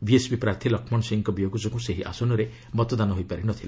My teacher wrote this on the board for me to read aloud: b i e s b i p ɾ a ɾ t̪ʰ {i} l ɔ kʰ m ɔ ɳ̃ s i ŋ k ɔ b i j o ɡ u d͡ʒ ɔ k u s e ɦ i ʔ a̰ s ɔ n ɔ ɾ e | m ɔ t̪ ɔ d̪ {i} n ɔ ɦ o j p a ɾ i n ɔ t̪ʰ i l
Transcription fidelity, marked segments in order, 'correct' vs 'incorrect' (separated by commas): correct, incorrect